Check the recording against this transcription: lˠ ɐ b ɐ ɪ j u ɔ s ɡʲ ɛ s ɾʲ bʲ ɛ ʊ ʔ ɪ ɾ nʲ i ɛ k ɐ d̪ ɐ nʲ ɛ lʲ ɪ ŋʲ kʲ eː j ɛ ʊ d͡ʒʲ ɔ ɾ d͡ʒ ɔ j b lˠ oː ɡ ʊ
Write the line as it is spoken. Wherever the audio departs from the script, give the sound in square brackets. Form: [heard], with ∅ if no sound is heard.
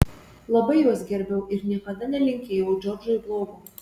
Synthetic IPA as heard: lˠ ɐ b ɐ ɪ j u ɔ s ɡʲ ɛ [∅] ɾʲ bʲ ɛ ʊ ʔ ɪ ɾ nʲ i ɛ k ɐ d̪ ɐ nʲ ɛ lʲ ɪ ŋʲ kʲ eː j ɛ ʊ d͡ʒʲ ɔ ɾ d͡ʒ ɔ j b lˠ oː ɡ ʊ